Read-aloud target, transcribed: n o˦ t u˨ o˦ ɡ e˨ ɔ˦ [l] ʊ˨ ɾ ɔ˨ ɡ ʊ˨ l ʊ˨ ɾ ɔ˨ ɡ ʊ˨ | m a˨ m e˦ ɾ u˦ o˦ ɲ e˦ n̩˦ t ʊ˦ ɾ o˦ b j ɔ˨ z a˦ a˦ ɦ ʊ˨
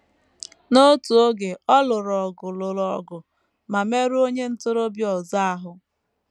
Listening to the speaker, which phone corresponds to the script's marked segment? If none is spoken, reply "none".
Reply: l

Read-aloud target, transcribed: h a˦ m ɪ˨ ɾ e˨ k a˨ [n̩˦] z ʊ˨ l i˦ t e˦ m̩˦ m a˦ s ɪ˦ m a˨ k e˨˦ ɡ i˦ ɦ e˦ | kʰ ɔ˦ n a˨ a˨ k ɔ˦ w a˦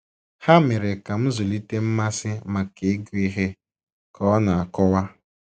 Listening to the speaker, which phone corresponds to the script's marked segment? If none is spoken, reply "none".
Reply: m̩˦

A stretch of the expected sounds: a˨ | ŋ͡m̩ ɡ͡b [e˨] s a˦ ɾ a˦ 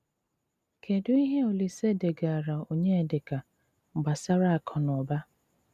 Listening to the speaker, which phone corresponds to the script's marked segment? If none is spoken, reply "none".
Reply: a˨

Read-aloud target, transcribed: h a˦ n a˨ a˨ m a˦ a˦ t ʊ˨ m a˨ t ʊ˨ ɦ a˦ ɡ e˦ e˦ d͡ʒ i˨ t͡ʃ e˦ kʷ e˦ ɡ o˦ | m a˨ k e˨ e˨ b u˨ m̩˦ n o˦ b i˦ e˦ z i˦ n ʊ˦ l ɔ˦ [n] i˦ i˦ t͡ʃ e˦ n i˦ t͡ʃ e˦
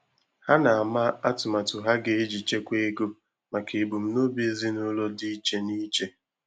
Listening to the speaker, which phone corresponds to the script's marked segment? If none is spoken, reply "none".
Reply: d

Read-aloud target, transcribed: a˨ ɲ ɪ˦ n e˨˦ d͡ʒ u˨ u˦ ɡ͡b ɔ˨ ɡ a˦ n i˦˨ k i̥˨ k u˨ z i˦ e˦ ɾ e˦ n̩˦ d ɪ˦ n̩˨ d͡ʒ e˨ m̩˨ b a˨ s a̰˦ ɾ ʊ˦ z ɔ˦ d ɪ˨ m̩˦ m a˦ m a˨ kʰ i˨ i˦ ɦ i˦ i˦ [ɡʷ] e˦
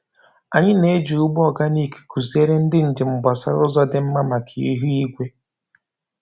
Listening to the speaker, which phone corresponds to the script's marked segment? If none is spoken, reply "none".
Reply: ɡʷ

